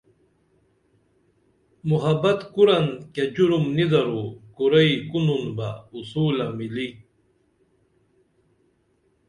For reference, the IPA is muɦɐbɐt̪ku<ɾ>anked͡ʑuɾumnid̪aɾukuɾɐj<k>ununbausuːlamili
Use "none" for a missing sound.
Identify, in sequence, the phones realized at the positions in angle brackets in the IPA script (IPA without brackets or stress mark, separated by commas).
ɾ, k